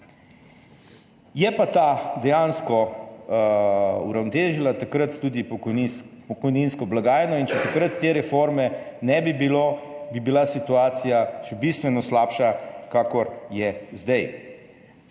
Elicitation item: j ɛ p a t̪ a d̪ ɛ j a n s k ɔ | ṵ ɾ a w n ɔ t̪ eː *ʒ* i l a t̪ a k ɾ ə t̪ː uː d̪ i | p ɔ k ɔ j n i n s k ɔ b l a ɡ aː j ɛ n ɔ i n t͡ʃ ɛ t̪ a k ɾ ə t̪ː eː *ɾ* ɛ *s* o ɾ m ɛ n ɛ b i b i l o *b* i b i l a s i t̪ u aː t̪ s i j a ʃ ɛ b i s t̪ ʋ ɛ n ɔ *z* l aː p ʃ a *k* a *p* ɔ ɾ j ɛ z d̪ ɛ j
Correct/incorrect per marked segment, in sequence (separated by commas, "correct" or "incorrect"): correct, correct, incorrect, correct, incorrect, correct, incorrect